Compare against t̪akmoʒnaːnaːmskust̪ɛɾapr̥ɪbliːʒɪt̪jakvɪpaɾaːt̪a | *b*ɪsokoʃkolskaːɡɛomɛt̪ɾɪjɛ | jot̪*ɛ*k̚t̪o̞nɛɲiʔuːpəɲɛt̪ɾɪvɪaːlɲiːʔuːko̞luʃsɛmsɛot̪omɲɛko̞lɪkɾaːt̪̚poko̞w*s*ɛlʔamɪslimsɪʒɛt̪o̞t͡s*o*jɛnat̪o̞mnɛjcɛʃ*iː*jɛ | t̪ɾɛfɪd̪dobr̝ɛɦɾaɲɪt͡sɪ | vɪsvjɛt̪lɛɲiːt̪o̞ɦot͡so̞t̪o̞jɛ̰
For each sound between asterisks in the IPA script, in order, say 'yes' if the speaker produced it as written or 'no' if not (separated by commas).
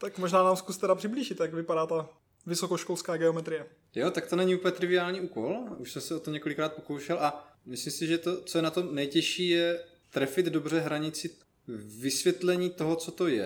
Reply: no, no, no, yes, yes